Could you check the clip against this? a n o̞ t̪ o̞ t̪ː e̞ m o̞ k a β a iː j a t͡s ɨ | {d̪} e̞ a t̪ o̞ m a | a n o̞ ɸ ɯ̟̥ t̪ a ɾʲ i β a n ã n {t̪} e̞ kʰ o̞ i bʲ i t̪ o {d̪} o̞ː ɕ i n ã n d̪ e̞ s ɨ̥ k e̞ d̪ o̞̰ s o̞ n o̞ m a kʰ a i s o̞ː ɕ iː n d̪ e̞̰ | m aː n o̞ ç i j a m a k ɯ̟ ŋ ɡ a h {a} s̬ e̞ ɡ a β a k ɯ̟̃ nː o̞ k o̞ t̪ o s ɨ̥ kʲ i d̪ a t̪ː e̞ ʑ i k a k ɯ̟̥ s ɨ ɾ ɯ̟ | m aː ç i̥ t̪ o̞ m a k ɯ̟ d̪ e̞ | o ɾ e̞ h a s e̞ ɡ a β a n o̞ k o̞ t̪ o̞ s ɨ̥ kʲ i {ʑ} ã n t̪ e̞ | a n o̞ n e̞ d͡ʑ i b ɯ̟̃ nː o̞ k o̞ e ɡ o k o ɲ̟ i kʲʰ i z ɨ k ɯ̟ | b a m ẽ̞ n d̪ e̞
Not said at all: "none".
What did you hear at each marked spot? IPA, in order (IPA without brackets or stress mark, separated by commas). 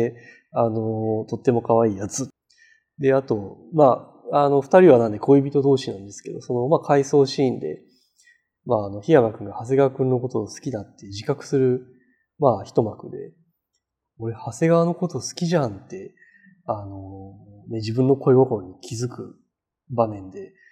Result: d̪, d̪, d̪, a, ʑ